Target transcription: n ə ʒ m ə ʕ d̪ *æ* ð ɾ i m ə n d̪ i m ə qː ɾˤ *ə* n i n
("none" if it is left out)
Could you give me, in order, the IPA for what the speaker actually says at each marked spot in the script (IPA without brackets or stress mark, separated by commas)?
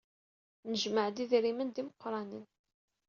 i, ɑ